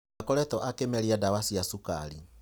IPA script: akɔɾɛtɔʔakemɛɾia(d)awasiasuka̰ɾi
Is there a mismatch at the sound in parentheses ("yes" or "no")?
no